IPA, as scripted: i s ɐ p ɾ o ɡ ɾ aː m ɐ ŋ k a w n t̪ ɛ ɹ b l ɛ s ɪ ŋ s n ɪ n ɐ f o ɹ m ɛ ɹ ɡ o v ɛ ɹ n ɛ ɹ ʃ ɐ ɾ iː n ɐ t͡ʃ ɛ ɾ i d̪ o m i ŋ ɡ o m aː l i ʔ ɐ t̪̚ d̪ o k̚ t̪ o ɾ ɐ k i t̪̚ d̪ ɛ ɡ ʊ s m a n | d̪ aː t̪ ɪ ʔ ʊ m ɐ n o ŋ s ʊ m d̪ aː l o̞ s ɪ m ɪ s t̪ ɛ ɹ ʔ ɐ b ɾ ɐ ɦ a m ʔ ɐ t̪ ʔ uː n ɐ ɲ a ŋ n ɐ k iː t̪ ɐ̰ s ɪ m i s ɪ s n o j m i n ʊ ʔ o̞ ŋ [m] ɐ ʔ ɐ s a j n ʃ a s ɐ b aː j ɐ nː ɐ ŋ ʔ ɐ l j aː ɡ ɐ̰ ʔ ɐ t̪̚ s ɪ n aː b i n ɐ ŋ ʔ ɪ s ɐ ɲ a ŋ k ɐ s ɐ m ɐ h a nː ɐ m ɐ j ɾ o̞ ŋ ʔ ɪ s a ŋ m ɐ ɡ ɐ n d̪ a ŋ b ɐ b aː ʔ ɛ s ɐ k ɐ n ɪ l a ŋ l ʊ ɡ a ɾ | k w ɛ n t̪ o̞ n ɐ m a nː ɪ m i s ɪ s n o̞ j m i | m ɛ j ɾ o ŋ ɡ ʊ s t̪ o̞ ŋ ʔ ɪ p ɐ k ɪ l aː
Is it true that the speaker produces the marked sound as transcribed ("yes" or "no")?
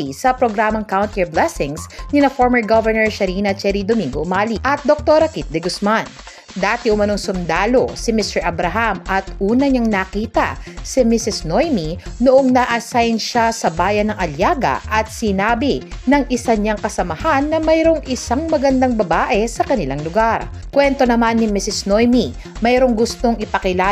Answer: no